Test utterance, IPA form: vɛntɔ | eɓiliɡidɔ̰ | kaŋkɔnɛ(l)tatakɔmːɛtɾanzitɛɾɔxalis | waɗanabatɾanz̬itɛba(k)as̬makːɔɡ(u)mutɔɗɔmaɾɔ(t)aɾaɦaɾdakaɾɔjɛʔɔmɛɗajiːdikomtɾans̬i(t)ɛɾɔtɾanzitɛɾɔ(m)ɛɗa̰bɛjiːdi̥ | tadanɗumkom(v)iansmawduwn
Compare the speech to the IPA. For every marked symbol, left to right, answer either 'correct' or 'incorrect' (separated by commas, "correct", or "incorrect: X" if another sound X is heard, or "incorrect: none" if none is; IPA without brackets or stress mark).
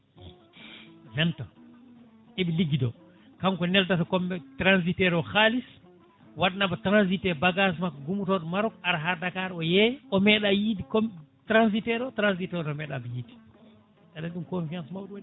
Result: correct, incorrect: ɡ, correct, incorrect: k, correct, correct, incorrect: f